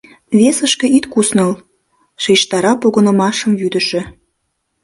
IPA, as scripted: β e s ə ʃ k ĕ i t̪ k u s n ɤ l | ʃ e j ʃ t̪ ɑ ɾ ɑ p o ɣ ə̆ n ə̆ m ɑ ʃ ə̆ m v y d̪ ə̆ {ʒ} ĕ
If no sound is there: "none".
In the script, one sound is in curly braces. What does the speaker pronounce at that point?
ʃ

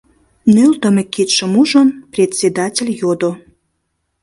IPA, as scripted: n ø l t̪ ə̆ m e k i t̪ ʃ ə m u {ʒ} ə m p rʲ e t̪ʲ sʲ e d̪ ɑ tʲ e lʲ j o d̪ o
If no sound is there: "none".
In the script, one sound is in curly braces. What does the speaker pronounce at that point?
ʒ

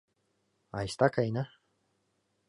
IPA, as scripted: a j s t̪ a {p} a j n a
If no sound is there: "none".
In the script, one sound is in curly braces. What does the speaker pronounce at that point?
k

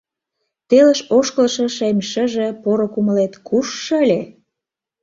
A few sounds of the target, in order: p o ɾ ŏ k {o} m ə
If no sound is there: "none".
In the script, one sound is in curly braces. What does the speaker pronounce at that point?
u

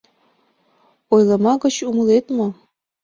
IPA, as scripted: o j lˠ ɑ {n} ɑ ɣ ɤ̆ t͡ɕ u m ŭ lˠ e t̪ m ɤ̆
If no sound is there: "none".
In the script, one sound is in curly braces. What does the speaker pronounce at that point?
m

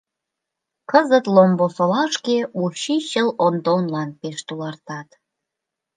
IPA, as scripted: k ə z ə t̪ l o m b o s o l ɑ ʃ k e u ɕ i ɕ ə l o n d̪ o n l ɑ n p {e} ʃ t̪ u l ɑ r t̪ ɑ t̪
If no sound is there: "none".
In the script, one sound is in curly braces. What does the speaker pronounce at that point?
e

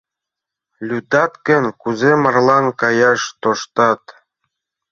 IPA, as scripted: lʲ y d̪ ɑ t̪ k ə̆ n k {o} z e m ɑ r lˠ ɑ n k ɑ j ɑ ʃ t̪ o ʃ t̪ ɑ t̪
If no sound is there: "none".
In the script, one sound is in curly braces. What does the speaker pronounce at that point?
u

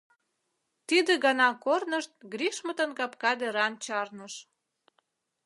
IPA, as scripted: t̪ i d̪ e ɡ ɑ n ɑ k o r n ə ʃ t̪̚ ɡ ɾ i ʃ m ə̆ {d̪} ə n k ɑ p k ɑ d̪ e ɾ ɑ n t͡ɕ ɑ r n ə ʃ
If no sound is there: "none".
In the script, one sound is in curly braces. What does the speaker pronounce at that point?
t̪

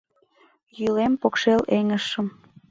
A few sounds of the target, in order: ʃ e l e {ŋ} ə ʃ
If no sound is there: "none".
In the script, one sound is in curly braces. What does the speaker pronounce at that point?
ŋ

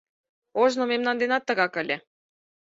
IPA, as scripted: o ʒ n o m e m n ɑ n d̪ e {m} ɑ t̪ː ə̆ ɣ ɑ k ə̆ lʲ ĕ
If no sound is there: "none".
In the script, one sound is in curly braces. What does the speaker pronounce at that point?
n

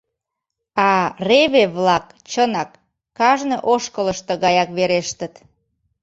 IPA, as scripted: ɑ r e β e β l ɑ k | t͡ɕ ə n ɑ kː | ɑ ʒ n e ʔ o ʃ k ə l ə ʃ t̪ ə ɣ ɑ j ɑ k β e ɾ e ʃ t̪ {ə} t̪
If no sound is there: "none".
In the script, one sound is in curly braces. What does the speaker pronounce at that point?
ə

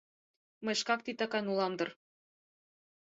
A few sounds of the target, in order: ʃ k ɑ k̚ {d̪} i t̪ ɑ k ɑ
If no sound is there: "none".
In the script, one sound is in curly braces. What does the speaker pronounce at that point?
t̪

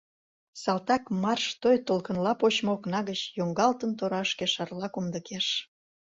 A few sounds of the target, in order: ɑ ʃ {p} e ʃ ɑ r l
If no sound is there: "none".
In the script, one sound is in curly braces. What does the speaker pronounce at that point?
k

